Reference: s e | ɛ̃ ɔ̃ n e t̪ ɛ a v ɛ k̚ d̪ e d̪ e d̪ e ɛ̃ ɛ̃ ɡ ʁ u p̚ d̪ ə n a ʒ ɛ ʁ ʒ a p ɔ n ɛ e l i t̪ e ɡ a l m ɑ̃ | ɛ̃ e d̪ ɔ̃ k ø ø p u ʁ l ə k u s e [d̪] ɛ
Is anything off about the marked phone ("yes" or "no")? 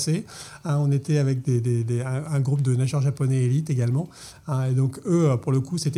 yes